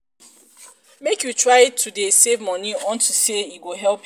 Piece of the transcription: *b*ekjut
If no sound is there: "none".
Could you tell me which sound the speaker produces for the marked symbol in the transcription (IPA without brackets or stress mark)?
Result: m